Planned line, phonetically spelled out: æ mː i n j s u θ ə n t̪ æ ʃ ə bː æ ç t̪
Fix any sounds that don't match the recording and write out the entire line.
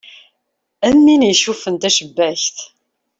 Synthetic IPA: æ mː i n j ʃ u f ə n t̪ æ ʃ ə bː æ ç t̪